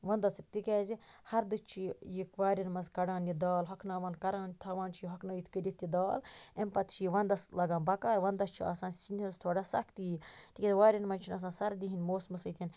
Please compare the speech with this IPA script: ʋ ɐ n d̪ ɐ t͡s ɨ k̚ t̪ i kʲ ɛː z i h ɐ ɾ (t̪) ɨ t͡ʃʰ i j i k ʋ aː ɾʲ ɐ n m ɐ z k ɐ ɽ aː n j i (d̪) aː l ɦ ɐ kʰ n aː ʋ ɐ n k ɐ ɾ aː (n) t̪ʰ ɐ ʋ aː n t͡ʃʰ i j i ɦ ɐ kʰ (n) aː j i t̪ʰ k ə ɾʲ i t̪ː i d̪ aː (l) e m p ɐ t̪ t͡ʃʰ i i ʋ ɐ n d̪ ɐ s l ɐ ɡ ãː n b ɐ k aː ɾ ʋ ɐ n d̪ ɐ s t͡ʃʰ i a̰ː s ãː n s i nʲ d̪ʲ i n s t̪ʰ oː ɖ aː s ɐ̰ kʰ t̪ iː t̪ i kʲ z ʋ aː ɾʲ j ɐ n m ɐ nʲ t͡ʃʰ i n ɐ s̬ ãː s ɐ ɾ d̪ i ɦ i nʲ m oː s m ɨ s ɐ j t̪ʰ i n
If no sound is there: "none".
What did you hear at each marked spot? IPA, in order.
d̪, d̪, n, n, l

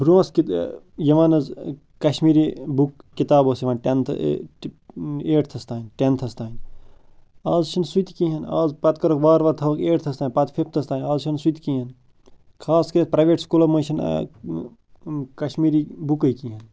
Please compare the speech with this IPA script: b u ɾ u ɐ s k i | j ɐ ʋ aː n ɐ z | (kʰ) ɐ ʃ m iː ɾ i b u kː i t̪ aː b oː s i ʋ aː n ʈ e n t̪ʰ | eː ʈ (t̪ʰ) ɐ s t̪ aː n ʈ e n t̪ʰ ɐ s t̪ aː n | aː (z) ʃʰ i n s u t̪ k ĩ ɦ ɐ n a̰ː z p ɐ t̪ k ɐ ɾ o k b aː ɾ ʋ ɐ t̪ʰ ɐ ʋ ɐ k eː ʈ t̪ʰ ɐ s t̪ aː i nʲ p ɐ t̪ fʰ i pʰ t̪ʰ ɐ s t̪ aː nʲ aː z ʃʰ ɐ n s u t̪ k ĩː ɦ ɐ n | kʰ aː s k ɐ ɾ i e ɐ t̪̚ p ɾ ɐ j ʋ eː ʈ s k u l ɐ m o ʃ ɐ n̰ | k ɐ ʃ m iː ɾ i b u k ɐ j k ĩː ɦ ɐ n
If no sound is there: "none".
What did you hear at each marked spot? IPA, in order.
k, t̪ʰ, z

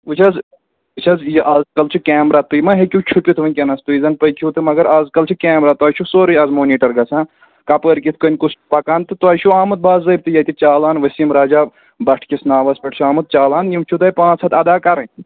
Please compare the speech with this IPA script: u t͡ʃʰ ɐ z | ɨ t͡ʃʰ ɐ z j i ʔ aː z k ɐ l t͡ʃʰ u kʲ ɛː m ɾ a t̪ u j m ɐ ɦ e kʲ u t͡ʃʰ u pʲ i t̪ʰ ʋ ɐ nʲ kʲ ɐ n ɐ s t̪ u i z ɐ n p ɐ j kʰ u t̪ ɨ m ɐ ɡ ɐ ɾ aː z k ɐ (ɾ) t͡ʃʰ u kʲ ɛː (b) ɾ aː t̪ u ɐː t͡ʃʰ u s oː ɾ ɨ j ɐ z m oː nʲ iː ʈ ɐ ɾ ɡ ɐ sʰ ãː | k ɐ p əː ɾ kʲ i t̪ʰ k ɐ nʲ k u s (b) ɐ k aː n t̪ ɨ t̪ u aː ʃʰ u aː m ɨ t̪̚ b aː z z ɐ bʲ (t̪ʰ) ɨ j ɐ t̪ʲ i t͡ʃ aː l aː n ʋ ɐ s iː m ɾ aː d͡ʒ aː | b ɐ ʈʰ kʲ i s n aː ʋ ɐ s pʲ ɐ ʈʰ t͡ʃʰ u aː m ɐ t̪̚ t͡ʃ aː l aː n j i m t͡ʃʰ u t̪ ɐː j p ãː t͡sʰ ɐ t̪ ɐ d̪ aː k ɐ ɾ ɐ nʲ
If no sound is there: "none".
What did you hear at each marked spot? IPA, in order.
l, m, p, t̪

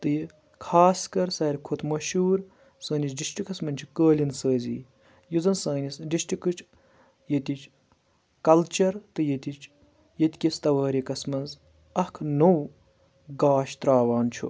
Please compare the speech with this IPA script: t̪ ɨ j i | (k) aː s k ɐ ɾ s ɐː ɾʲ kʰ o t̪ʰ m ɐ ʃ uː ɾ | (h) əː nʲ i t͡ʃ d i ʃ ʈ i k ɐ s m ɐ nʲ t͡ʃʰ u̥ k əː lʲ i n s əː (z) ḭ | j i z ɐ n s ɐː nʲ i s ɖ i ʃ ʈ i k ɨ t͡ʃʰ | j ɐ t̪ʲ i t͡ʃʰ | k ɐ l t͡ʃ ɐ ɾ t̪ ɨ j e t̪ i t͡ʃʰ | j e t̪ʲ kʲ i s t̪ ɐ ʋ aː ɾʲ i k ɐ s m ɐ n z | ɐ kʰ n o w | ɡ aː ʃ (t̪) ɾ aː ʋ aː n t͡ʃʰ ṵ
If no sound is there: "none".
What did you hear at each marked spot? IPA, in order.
kʰ, s, z, t̪

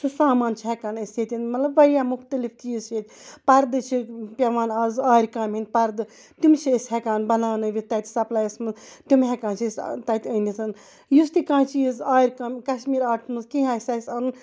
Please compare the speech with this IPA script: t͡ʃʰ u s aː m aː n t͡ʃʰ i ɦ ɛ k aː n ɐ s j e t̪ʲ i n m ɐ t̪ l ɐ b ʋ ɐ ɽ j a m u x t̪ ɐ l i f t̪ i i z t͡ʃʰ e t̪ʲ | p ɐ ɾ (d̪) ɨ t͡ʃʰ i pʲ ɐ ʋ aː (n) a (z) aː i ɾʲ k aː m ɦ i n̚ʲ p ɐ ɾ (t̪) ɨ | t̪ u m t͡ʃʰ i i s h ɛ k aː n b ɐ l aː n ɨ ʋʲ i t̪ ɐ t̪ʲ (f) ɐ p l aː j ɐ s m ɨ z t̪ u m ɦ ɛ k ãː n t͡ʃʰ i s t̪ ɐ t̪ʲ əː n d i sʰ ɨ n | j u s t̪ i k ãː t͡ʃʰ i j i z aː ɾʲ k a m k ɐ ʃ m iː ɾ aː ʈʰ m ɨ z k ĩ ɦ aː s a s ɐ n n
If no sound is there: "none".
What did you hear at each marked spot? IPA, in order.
d̪, n, z, d̪, s

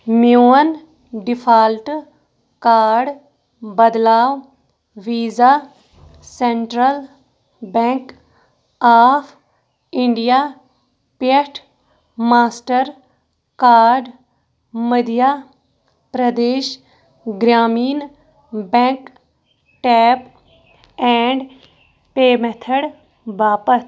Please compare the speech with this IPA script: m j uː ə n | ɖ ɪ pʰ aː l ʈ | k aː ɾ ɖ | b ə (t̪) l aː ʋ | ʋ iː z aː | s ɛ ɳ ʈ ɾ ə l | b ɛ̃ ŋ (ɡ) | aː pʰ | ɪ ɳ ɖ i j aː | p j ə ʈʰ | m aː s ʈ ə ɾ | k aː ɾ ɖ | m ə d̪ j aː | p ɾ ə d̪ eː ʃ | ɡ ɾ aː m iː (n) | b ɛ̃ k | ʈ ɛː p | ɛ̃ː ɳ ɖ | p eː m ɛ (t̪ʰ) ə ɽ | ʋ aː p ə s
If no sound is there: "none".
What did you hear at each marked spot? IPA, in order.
d̪, k, n, t̪ʰ

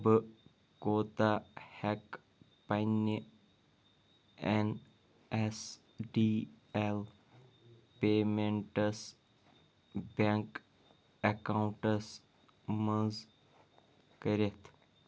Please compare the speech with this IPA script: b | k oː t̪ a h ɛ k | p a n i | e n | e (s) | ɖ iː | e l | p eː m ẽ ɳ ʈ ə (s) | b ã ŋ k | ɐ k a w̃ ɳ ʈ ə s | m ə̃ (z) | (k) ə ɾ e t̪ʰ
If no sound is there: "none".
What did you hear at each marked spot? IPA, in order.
s, s, z, k

